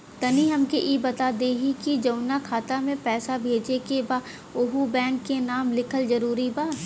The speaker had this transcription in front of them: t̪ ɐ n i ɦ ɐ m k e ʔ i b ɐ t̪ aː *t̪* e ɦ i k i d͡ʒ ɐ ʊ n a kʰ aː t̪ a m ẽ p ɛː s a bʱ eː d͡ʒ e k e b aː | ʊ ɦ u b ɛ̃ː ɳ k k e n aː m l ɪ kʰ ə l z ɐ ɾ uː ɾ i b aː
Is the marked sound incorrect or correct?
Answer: incorrect